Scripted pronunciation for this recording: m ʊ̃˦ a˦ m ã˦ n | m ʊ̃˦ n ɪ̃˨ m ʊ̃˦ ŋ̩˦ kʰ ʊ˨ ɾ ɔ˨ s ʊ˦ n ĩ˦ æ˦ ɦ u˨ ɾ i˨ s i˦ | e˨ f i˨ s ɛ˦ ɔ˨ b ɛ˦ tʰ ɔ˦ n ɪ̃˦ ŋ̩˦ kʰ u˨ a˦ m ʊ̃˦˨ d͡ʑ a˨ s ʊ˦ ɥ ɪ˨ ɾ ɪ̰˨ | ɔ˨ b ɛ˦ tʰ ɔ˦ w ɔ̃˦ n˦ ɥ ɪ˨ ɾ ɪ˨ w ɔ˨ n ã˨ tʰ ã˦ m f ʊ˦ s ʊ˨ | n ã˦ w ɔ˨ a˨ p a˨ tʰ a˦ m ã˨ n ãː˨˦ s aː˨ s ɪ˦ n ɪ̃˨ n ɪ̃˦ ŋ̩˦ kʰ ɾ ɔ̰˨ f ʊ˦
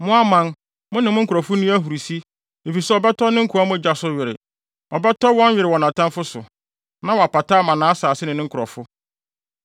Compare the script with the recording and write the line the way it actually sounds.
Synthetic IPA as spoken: m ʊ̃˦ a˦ m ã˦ n | m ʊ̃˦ n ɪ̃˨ m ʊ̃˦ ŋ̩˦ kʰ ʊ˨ ɾ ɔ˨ f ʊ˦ n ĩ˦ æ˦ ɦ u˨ ɾ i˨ s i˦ | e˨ f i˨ s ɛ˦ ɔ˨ b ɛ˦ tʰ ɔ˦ n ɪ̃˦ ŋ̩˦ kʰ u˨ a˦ m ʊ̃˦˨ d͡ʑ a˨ s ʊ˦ ɥ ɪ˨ ɾ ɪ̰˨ | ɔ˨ b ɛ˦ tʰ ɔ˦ w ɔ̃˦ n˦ ɥ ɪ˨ ɾ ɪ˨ w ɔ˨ n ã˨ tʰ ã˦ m f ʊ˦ s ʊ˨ | n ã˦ w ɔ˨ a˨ p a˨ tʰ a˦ m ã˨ n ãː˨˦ s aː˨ s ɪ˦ n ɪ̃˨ n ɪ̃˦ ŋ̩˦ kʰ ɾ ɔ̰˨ f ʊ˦